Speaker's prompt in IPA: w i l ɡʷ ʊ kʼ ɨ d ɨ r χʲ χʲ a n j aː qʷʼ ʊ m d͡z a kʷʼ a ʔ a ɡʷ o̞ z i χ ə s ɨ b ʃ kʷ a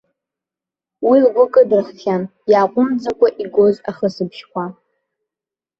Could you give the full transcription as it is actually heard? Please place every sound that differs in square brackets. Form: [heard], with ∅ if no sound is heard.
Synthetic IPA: w i l ɡʷ ʊ kʼ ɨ d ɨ r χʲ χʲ a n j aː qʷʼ ʊ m d͡z a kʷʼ a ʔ [i] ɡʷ o̞ z [a] χ ə s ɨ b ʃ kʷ a